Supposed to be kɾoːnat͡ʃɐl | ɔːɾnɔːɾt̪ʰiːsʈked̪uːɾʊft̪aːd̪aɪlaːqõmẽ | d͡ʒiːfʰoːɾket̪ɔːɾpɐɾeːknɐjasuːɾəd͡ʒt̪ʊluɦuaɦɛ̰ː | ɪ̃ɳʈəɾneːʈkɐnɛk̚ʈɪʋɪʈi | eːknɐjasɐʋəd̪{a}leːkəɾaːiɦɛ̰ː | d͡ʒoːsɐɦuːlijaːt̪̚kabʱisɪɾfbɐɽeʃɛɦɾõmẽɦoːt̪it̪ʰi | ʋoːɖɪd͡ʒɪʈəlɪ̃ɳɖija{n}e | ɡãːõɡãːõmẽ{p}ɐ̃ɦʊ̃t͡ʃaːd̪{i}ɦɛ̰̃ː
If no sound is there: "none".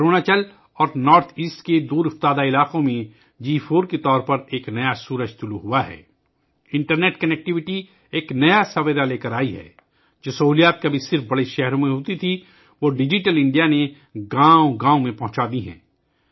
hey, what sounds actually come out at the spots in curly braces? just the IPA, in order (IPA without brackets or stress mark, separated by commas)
a, n, p, i